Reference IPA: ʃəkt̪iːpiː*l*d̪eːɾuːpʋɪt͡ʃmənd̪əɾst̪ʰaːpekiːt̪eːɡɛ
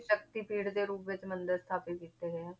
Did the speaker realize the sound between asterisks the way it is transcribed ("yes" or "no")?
no